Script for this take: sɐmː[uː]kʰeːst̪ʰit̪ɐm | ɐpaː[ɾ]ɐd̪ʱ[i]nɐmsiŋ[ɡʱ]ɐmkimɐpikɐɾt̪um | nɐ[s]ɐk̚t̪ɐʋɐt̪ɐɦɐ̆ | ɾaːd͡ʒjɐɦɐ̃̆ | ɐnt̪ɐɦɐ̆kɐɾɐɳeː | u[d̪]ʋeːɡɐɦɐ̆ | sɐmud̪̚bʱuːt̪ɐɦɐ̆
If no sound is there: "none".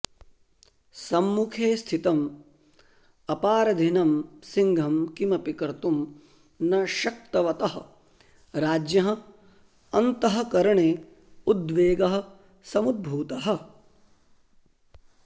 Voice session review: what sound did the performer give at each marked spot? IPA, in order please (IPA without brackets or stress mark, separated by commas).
u, ɾ, i, ɡʱ, ʃ, d̪